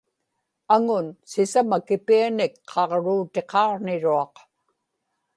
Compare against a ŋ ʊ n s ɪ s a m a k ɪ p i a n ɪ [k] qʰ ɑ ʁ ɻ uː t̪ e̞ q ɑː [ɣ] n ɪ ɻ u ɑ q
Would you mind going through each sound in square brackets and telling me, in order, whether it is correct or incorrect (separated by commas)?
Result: correct, incorrect